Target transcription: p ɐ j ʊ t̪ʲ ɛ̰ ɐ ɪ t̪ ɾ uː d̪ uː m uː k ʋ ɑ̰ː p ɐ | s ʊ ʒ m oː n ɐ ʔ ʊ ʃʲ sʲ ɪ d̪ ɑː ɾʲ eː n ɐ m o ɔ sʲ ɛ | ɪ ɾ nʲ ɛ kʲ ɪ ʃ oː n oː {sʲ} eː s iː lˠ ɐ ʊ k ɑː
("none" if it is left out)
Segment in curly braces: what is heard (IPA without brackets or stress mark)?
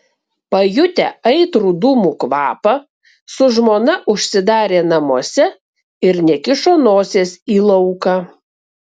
sʲ